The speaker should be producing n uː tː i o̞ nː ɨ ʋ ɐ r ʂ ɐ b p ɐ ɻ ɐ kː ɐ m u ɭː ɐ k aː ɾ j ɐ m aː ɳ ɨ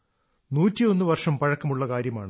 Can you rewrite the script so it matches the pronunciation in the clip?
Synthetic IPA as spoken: n uː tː i o̞ nː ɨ ʋ ɐ r ʂ ɐ m p ɐ ɻ ɐ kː ɐ m u ɭː ɐ k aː ɾ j ɐ m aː ɳ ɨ